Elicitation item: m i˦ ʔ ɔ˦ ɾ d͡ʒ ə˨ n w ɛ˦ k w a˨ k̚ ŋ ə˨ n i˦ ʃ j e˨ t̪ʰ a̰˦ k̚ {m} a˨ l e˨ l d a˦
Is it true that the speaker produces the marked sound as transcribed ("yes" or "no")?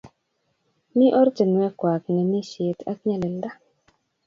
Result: no